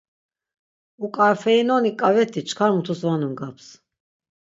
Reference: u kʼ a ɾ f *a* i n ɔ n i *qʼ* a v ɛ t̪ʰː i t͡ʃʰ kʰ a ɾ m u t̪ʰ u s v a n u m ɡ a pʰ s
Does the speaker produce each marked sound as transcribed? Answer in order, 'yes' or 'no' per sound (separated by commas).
no, no